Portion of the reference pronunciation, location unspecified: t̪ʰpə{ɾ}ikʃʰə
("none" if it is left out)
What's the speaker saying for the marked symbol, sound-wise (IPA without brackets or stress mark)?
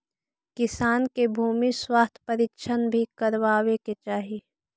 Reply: ɾ